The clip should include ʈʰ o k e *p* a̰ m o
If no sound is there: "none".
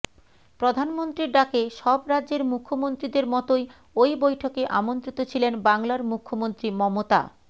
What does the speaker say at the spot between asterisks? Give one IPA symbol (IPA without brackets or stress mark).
ʔ